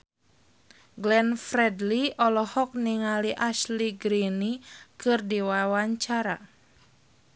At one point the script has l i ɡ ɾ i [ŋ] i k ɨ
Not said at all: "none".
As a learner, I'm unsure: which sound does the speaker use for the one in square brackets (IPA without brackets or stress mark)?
n